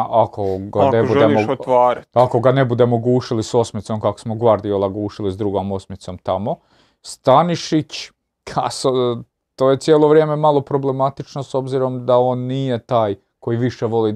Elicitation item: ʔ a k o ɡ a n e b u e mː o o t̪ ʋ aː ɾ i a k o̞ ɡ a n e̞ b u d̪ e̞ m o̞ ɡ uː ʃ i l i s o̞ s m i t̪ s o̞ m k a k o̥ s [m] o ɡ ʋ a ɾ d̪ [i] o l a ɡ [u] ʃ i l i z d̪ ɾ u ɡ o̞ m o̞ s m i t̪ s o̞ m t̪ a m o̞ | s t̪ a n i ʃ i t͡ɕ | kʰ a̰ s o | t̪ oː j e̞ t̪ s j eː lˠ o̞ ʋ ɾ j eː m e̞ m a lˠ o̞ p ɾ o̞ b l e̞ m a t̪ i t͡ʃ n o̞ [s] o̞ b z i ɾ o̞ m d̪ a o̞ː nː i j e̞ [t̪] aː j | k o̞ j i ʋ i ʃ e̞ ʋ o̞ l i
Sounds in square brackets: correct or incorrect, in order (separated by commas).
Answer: correct, correct, incorrect, correct, correct